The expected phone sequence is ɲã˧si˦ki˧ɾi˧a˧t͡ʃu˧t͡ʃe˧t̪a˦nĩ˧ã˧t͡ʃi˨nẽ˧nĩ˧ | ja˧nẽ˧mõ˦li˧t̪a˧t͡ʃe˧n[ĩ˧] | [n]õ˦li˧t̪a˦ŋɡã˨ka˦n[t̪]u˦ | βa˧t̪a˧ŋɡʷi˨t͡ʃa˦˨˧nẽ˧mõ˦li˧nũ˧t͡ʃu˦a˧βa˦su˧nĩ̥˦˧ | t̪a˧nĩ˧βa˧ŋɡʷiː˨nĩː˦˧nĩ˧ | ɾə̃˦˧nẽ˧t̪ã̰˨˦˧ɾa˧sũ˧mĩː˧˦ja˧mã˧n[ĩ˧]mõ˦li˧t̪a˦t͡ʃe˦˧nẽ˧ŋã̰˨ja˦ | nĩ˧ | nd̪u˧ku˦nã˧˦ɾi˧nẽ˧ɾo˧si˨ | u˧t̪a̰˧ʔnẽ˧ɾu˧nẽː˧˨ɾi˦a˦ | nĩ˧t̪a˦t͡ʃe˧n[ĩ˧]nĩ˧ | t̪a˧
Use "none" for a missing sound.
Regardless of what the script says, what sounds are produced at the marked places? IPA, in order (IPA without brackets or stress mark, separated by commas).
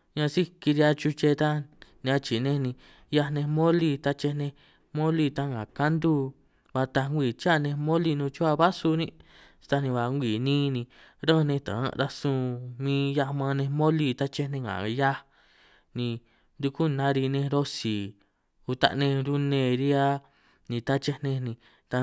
ẽ˧, m, d̪, ẽ˧, ẽ˧